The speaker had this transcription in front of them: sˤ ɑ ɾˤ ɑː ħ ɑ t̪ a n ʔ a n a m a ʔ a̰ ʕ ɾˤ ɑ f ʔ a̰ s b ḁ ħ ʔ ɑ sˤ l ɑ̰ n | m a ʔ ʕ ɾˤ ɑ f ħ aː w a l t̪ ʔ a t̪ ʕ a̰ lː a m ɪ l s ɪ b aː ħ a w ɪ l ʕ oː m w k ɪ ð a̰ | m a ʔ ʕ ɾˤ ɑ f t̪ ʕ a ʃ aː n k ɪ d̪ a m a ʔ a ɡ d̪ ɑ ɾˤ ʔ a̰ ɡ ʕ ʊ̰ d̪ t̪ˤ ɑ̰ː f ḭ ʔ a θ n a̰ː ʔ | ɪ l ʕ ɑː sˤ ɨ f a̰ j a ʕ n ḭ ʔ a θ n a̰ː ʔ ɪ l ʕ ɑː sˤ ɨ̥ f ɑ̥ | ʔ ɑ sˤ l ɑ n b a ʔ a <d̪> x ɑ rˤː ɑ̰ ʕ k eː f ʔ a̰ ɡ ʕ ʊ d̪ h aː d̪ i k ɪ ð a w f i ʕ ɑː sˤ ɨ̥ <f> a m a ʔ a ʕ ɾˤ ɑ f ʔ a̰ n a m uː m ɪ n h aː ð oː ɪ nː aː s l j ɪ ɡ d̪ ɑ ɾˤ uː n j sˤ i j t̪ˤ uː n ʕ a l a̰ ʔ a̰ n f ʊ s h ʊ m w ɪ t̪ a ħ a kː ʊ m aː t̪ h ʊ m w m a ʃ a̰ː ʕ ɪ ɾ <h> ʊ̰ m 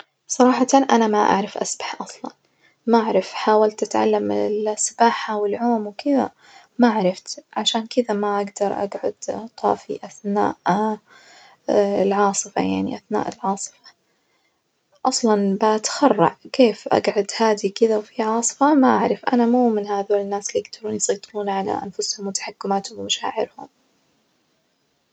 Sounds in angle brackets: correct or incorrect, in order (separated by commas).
incorrect, correct, correct